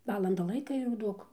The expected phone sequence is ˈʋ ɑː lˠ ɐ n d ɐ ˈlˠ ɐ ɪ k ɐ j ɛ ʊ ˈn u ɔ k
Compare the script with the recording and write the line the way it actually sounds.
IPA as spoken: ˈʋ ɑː lˠ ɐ n d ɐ ˈlˠ ɐ ɪ k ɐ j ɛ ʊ ˈd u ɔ k